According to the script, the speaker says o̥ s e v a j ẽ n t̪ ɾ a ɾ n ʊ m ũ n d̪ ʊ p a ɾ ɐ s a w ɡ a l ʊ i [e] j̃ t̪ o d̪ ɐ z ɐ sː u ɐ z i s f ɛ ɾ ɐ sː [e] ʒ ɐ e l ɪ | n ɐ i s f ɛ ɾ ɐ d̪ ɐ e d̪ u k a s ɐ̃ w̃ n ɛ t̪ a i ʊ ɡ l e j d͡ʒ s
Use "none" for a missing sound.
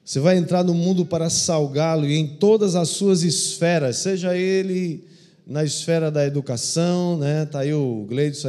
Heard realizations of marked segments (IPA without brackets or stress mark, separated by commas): ẽ, e